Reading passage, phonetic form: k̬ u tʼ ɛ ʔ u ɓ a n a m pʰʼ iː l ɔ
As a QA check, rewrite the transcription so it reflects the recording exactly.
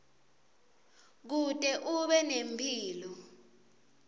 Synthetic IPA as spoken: k̬ u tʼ ɛ ʔ u ɓ ɛ n e m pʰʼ iː l ɔ